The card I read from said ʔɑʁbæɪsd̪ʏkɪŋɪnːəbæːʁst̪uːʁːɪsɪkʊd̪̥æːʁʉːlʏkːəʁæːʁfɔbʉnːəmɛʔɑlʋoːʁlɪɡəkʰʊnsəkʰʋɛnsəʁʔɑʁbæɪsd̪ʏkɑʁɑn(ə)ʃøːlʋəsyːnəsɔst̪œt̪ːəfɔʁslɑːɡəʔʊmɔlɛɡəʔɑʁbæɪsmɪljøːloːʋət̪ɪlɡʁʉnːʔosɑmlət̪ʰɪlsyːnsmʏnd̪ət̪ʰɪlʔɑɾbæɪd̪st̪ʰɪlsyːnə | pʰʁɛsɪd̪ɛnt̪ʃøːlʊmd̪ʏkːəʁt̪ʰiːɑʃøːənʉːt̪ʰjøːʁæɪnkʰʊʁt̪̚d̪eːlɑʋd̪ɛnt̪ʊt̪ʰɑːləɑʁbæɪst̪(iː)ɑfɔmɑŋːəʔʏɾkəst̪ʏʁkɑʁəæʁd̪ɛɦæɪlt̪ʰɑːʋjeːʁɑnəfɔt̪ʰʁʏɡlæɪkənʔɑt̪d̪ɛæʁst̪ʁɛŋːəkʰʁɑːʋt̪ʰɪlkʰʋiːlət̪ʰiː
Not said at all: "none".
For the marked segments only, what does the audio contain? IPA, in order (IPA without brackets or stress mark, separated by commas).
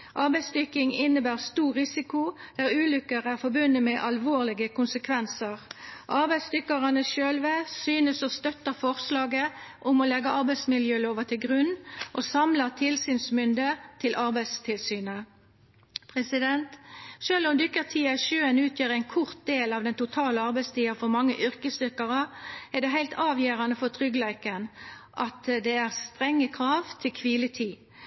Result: ə, iː